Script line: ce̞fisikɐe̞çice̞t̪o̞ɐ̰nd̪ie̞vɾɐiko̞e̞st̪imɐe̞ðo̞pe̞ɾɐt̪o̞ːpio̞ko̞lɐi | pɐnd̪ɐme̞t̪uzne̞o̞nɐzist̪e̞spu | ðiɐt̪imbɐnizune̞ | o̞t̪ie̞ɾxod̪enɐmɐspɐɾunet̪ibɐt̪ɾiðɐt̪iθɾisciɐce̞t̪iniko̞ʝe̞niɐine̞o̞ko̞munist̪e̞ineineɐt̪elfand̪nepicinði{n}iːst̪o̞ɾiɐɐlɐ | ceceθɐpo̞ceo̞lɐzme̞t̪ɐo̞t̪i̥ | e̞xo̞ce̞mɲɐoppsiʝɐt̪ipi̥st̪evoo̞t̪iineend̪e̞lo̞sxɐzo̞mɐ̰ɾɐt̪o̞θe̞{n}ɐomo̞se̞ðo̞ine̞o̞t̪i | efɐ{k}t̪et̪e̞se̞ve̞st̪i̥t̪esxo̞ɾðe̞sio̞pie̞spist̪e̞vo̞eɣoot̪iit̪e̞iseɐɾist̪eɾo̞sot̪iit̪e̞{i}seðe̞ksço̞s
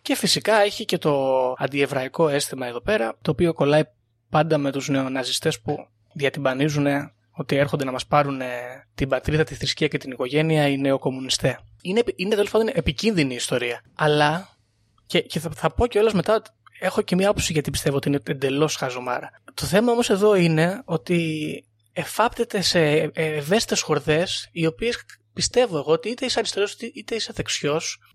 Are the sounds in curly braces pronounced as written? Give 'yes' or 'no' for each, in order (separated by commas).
yes, no, no, yes